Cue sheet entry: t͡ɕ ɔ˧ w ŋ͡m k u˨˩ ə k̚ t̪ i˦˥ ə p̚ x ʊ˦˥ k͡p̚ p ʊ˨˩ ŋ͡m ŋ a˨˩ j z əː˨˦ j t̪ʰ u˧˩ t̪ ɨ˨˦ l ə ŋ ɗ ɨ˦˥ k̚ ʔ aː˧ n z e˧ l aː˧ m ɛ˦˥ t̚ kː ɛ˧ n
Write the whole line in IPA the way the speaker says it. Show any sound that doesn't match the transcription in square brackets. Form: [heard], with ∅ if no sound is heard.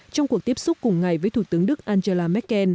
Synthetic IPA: t͡ɕ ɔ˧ w ŋ͡m k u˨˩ ə k̚ t̪ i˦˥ ə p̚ [s] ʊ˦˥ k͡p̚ [k] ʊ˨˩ ŋ͡m ŋ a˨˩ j [v] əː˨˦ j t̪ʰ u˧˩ t̪ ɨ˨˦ [∅] ə ŋ ɗ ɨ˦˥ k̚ ʔ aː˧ n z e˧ l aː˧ m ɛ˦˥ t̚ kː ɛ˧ n